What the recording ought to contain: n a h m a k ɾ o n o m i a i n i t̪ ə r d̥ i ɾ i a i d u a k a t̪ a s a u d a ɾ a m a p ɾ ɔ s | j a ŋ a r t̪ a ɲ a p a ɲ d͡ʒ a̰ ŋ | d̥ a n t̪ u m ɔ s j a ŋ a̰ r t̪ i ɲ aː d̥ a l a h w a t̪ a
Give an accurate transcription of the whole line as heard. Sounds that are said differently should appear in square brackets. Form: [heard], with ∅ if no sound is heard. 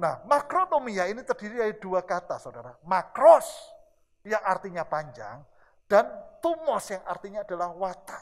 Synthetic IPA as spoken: n a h m a k ɾ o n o m i a i n i t̪ ə r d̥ i ɾ i a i d u a k a t̪ a s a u d a ɾ a m a [k] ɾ ɔ s | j a ŋ a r t̪ [i] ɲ a p a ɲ d͡ʒ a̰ ŋ | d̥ a n t̪ u m ɔ s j a ŋ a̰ r t̪ i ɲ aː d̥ a l a h w a t̪ a